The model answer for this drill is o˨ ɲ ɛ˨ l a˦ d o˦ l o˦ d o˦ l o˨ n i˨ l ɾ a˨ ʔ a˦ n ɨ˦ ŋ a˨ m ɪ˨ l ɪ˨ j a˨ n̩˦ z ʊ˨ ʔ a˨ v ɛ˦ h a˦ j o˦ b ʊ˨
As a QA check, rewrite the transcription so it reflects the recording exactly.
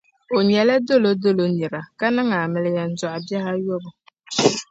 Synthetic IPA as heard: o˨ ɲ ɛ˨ l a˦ d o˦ l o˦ d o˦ l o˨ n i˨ ɾ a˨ k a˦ n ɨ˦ ŋ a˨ m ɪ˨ l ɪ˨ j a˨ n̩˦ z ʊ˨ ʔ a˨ b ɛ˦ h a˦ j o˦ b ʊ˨